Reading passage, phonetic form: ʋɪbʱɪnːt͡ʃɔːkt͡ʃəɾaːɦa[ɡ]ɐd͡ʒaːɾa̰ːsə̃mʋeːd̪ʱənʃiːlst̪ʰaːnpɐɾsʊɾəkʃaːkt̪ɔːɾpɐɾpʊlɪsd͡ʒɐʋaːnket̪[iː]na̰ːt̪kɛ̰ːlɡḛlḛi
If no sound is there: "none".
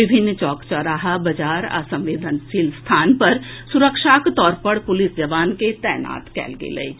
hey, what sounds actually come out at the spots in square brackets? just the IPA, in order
b, ɛː

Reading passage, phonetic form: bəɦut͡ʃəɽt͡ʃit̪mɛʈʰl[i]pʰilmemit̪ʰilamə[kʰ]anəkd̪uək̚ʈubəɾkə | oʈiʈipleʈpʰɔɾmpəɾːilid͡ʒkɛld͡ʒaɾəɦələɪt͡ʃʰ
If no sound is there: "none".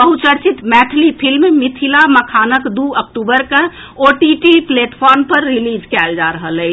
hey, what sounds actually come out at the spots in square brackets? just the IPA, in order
i, kʰ

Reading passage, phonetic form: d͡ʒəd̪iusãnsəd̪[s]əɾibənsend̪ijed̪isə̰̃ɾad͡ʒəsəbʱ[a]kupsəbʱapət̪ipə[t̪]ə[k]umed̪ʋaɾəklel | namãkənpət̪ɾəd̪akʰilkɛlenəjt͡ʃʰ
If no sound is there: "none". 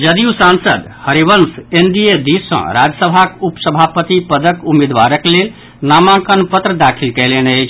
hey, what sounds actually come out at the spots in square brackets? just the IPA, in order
h, a, d̪, k

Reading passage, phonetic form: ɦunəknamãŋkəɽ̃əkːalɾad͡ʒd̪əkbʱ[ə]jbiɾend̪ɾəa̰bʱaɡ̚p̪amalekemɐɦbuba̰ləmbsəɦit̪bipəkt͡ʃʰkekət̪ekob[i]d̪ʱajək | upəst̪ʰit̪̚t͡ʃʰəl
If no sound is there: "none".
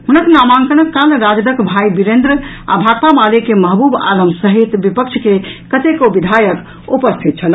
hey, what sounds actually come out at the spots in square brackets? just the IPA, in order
a, i

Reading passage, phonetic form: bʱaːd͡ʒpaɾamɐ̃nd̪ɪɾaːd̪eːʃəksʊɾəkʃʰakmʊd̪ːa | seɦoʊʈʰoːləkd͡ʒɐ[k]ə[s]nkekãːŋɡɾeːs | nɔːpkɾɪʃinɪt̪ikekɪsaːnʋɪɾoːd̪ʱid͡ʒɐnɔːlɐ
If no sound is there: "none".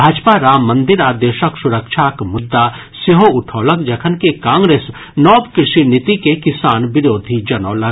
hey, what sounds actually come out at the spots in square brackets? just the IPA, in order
kʰ, none

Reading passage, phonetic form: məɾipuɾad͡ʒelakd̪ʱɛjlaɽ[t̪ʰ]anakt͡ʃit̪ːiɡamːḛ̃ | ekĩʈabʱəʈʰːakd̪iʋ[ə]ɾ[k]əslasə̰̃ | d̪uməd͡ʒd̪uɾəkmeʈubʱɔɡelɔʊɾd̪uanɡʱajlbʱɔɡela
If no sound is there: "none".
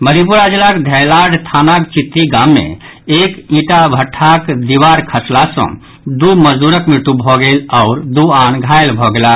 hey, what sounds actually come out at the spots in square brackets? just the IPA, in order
t̪ʰ, a, kʰ

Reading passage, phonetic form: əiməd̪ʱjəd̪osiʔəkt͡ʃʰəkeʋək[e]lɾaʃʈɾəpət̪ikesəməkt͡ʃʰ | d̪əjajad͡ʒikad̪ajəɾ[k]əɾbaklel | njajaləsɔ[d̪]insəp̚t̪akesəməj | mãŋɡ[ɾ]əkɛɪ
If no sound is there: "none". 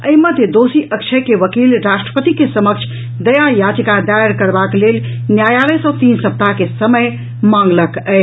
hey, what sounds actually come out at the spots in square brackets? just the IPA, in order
i, k, t̪, l

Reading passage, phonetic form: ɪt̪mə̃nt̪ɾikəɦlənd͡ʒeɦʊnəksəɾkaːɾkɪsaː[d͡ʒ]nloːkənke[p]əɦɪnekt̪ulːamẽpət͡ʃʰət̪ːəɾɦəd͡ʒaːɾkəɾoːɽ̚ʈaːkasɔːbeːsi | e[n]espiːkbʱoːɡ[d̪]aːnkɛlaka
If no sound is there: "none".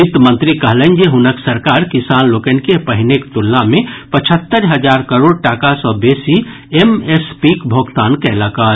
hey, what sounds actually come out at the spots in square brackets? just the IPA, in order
none, p, m, t̪

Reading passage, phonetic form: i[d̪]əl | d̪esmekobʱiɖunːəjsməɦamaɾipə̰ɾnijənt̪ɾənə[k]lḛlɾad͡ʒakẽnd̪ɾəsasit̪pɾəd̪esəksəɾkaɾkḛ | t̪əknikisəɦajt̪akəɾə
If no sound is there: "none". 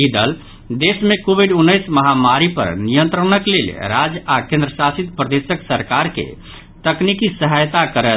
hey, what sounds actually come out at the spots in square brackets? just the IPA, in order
d̪, k

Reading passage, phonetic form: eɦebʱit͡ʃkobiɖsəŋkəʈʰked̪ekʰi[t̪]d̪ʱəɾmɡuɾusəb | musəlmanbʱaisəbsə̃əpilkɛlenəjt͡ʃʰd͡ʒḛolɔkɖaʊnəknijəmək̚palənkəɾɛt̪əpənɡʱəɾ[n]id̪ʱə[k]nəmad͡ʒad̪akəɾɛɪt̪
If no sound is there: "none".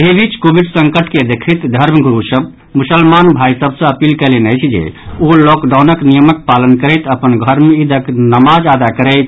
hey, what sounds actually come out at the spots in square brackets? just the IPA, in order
t̪, m, k

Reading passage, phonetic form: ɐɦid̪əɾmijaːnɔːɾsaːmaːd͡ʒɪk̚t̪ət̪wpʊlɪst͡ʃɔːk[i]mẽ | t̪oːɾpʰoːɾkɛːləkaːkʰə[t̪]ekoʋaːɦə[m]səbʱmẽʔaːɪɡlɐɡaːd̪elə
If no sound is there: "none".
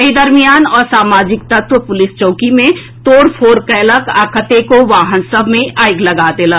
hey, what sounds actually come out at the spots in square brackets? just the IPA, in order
i, t̪, n

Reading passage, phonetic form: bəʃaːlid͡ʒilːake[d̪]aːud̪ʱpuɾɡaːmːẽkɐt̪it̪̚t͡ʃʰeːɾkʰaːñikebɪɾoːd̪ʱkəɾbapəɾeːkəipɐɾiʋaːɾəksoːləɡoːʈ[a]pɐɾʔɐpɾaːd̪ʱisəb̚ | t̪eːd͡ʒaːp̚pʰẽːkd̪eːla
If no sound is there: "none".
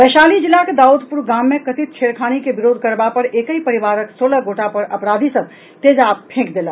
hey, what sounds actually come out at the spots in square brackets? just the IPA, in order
d̪, a

